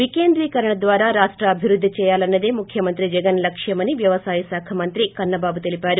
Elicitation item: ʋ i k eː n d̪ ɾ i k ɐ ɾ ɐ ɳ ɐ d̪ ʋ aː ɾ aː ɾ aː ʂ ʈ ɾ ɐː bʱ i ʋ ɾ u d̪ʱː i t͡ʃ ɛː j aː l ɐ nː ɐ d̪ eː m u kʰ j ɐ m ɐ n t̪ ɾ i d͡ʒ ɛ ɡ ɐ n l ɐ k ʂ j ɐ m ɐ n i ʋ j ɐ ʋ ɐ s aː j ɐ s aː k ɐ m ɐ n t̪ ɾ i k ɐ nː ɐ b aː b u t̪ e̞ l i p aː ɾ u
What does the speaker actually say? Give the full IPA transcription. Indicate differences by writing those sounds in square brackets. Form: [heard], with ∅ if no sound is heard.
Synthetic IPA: ʋ i k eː n d̪ ɾ [iː] k ɐ ɾ ɐ ɳ ɐ d̪ ʋ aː ɾ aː ɾ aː ʂ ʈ ɾ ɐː bʱ i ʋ ɾ u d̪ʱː i t͡ʃ ɛː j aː l ɐ nː ɐ d̪ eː m u kʰ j ɐ m ɐ n t̪ ɾ i d͡ʒ ɛ ɡ ɐ n l ɐ k ʂ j ɐ m ɐ n i ʋ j ɐ ʋ ɐ s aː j ɐ s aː [kʰ] ɐ m ɐ n t̪ ɾ i k ɐ nː ɐ b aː b u t̪ e̞ l i p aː ɾ u